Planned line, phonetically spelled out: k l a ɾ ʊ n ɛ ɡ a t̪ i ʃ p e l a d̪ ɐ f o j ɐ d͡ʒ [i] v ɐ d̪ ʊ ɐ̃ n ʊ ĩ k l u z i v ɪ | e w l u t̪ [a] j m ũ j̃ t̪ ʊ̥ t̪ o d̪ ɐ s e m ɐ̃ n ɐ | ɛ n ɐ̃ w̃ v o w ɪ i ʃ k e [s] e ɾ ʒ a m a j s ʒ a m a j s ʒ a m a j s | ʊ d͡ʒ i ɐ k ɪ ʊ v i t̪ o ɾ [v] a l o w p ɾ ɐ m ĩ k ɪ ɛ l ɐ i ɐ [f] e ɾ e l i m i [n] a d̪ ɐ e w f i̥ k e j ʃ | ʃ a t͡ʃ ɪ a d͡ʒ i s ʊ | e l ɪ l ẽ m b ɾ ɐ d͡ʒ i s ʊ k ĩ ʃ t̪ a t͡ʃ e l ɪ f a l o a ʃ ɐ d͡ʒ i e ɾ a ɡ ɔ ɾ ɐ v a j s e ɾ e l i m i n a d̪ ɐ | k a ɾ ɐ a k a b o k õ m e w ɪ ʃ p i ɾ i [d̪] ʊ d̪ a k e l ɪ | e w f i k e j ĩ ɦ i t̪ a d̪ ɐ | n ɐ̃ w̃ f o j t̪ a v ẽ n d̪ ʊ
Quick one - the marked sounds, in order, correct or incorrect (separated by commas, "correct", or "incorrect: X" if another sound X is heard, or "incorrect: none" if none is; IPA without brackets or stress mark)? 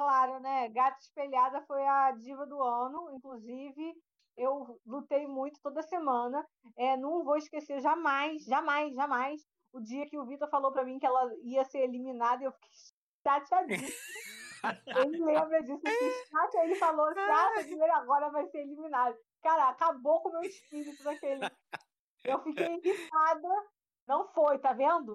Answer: correct, incorrect: e, correct, incorrect: f, incorrect: s, correct, incorrect: t̪